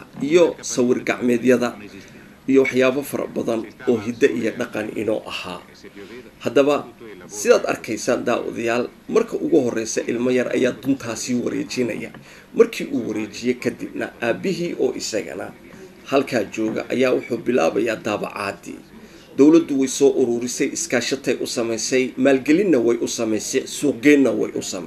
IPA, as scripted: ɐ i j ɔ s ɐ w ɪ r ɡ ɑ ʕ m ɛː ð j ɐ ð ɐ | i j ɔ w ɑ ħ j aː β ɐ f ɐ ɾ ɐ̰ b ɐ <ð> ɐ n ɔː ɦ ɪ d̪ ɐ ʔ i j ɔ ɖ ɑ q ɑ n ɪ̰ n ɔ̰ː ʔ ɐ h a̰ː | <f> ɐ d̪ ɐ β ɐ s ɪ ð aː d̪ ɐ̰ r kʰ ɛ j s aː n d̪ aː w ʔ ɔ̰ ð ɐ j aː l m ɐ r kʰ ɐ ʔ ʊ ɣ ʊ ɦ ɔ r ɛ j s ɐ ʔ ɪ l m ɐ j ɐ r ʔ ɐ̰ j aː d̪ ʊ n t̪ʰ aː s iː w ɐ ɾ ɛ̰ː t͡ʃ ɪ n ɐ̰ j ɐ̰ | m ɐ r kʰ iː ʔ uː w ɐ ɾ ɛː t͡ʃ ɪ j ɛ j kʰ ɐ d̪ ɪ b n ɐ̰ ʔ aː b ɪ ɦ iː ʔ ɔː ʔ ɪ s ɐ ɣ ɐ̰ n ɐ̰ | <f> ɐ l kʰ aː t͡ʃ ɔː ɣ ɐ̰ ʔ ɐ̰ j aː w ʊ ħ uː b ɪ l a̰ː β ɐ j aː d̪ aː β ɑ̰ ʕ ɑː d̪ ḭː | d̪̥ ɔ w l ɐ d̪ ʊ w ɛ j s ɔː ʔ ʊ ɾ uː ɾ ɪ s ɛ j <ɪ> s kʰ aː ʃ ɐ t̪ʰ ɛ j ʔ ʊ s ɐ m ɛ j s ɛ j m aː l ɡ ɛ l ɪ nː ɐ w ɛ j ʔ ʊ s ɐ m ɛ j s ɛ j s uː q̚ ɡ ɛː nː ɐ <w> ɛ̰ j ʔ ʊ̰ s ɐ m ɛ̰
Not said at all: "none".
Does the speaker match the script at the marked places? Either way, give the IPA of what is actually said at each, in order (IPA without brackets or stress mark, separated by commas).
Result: ð, h, h, ɪ, w